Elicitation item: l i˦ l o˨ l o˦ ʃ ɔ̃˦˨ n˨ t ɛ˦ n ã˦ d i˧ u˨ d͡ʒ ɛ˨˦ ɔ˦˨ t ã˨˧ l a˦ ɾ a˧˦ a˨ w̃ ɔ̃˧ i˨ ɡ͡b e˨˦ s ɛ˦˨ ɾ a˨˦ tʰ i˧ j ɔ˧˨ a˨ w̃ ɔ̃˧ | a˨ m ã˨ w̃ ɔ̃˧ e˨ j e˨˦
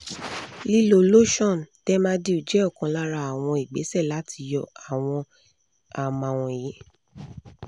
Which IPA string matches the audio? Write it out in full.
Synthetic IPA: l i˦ l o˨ l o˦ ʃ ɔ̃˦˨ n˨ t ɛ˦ m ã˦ d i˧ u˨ d͡ʒ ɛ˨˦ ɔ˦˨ k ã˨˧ l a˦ ɾ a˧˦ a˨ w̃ ɔ̃˧ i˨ ɡ͡b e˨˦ s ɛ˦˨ l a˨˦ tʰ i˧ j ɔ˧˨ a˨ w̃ ɔ̃˧ | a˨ m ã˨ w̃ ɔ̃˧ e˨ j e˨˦